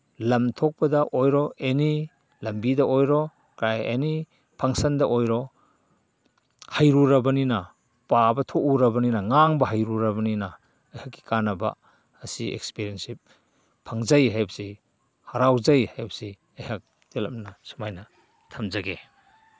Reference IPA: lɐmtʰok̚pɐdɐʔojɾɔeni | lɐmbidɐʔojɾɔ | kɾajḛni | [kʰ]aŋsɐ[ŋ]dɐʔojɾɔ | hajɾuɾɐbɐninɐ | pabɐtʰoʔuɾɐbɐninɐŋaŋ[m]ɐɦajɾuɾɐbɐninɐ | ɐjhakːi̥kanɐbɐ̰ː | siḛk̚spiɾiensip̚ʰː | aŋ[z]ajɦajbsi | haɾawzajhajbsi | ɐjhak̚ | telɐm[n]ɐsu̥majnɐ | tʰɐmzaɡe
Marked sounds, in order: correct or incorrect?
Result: incorrect, incorrect, incorrect, correct, correct

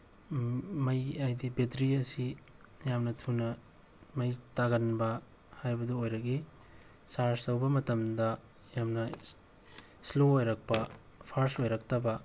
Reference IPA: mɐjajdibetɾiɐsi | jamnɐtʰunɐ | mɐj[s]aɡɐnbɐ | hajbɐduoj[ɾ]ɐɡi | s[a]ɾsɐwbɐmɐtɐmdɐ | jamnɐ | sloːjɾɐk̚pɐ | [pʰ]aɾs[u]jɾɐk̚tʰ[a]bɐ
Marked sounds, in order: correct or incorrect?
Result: incorrect, correct, correct, correct, incorrect, incorrect

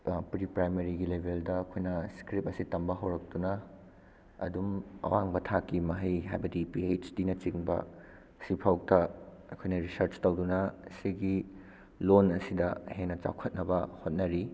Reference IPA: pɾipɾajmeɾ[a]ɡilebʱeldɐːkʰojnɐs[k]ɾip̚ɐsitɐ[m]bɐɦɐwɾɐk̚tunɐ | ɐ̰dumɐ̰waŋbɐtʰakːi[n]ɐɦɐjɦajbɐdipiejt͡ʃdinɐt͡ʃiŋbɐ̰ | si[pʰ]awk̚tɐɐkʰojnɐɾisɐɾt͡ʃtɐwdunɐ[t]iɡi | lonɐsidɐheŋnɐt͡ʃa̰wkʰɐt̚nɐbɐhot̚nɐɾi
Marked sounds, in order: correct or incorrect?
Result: incorrect, correct, correct, incorrect, correct, incorrect

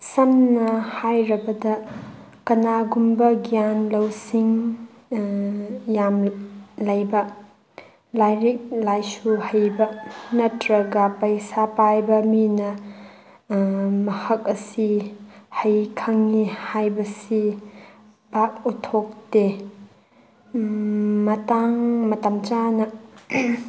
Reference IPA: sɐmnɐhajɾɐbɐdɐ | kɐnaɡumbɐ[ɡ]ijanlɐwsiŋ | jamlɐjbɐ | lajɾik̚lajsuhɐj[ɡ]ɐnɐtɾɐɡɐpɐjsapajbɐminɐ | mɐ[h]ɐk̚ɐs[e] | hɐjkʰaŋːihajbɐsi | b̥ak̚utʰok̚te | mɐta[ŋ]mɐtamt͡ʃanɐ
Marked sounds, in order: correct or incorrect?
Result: correct, incorrect, correct, incorrect, correct

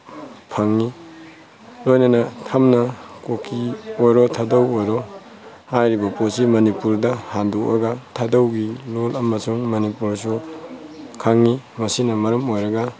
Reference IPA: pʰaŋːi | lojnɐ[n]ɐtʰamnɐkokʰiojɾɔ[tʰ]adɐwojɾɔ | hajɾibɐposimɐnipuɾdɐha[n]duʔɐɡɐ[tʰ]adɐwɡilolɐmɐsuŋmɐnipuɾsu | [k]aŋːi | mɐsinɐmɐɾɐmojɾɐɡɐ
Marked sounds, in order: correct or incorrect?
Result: correct, correct, correct, correct, incorrect

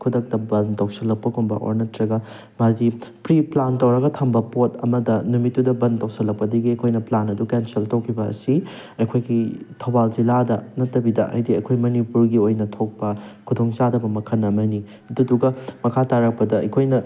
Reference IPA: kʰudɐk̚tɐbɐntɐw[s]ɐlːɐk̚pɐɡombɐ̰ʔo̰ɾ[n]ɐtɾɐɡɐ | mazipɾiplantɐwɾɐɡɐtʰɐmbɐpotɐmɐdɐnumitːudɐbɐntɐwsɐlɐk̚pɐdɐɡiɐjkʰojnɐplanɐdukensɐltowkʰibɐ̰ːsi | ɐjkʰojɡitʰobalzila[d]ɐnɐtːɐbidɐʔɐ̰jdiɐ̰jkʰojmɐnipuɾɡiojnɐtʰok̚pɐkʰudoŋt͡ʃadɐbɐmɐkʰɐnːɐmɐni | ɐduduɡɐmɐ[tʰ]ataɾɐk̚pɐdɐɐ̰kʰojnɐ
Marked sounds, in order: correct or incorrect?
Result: correct, correct, correct, incorrect

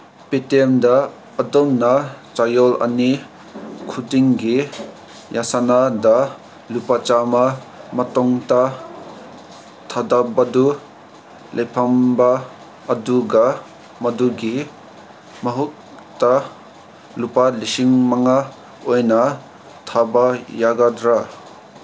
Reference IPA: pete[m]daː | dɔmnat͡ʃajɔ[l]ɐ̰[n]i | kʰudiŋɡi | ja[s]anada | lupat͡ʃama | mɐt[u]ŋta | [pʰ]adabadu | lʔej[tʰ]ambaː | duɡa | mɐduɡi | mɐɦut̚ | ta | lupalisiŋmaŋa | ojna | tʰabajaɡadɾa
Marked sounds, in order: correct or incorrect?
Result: correct, correct, correct, correct, incorrect, incorrect, incorrect

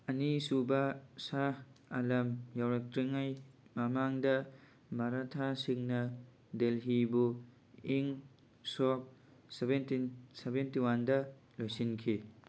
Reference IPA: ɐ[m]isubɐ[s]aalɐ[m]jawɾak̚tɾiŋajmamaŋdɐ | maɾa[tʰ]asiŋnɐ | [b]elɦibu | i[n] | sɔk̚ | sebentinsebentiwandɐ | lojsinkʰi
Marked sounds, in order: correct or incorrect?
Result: incorrect, correct, correct, correct, incorrect, incorrect

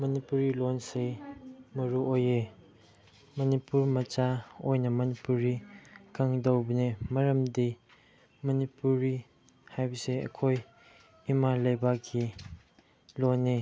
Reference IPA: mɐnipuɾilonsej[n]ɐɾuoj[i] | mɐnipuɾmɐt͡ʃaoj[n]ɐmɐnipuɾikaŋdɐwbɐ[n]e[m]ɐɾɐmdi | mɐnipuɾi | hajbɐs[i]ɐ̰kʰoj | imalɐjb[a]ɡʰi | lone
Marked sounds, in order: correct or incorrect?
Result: incorrect, incorrect, correct, correct, correct, incorrect, correct

